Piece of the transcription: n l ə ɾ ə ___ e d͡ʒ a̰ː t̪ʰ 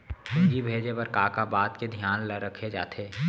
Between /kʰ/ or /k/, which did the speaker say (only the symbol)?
kʰ